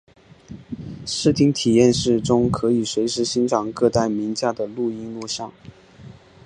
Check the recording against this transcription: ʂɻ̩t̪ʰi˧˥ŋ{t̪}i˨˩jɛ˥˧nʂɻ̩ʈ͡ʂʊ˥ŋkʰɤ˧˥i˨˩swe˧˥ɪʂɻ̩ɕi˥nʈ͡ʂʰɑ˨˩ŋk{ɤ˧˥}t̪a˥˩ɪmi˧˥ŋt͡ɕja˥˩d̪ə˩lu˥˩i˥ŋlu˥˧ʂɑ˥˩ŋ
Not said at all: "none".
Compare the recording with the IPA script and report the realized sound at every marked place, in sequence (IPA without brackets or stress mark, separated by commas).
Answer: t̪ʰ, ɤ˥˧